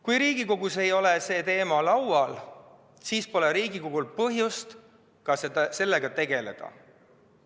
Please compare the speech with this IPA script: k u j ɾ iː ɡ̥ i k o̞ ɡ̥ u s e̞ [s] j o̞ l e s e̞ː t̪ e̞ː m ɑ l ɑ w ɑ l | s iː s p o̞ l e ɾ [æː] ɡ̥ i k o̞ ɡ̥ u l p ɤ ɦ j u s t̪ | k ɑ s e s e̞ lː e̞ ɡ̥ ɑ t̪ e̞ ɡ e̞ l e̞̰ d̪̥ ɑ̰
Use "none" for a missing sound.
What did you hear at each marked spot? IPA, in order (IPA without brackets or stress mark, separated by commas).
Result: none, iː